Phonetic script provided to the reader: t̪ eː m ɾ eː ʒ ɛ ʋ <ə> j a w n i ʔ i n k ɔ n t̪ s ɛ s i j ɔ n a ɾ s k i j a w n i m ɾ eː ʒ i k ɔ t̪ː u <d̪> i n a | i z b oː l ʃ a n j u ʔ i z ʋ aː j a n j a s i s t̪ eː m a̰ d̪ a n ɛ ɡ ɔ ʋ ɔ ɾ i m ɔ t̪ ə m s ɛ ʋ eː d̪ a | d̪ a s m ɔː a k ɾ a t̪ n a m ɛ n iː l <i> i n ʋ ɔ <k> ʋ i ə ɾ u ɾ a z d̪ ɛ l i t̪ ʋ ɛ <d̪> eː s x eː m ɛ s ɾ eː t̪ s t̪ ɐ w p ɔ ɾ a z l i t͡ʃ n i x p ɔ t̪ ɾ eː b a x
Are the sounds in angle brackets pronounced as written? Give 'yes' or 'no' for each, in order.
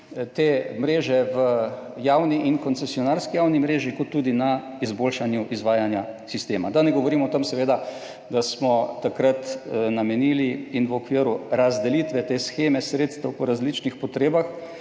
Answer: yes, yes, yes, yes, no

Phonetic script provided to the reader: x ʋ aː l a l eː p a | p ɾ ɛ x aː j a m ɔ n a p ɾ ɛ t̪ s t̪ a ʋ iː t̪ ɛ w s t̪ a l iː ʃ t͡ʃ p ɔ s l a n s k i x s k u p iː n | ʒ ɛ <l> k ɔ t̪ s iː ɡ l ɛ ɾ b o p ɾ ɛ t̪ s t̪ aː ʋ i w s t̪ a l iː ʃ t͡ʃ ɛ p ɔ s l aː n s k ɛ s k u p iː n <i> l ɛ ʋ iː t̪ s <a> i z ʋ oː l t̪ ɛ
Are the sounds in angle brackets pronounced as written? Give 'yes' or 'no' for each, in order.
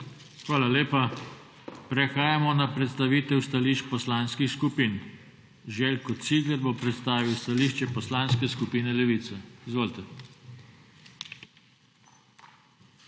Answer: yes, no, no

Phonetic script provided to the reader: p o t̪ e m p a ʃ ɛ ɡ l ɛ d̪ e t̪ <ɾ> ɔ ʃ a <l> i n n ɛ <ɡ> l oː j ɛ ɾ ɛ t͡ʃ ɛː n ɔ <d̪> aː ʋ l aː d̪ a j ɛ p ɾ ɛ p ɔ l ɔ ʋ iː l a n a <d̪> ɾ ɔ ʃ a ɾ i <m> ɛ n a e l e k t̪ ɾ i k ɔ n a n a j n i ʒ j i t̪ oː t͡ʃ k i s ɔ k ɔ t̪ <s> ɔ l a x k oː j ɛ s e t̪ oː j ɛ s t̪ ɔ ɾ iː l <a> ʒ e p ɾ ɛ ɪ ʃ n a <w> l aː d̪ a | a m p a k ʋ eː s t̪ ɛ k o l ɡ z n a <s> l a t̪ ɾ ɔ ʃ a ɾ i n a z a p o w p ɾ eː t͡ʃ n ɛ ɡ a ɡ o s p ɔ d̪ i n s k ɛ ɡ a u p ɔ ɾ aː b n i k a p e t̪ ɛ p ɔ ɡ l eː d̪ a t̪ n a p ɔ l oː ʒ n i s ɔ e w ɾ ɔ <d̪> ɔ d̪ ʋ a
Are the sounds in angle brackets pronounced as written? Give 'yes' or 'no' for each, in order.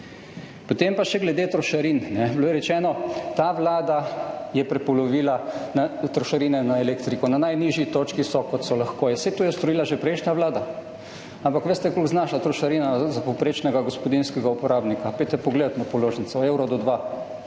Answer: yes, no, no, no, no, no, yes, yes, no, no, yes

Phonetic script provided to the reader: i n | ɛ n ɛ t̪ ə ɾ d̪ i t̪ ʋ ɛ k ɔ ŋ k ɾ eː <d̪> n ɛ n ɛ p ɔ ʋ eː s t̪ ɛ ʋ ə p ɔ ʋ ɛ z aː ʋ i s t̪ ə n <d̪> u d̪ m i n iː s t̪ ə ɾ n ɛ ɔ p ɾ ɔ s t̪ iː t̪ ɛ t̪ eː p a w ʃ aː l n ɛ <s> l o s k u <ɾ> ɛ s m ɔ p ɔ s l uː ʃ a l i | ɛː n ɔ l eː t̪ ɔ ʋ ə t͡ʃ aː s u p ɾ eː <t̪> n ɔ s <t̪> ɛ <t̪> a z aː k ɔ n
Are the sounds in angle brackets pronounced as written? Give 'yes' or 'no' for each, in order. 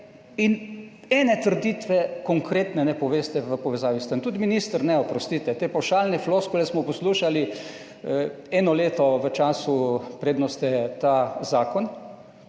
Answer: no, no, no, no, no, yes, yes

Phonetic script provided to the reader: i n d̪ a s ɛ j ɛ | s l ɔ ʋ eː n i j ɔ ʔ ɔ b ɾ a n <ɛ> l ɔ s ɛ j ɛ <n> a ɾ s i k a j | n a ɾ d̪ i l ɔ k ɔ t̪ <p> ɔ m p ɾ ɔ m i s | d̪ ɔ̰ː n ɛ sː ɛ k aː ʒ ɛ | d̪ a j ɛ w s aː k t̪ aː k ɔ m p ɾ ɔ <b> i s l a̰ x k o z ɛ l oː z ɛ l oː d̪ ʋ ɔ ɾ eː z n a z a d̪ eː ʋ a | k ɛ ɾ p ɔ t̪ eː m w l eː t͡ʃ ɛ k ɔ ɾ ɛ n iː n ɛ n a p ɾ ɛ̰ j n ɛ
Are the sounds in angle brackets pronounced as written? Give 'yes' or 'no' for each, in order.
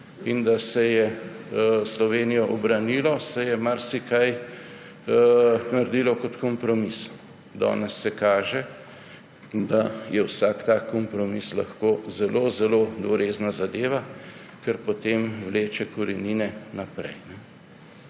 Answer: no, no, no, no

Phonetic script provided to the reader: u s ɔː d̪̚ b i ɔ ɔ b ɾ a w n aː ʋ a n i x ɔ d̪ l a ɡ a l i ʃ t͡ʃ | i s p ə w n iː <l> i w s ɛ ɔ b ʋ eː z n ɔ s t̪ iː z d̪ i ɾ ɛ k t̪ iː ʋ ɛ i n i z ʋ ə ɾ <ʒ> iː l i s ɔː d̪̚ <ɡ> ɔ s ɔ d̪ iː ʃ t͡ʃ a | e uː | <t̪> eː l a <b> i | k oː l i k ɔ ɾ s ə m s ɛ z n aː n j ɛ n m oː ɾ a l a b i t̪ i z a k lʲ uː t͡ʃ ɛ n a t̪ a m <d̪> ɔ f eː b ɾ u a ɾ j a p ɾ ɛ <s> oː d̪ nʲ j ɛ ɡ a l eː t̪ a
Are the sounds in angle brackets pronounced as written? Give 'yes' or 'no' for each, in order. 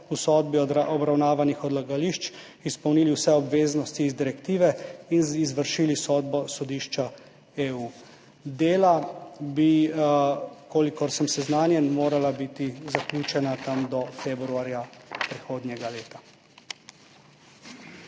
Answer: yes, no, no, no, yes, yes, no

